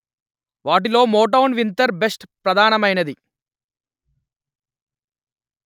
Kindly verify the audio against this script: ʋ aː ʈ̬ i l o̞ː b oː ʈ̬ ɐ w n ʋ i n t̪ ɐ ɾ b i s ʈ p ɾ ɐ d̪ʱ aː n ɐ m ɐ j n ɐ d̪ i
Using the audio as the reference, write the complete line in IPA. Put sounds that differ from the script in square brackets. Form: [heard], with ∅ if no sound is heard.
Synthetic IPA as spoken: ʋ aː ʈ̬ i l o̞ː [m] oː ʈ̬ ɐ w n ʋ i n t̪ ɐ ɾ b [e] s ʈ p ɾ ɐ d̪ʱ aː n ɐ m ɐ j n ɐ d̪ i